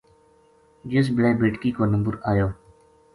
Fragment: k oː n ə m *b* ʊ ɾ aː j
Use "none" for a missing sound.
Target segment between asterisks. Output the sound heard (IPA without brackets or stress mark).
b